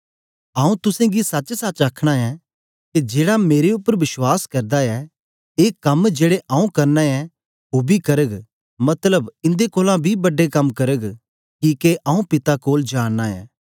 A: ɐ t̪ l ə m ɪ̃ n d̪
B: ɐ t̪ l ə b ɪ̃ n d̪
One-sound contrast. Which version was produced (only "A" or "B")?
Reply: B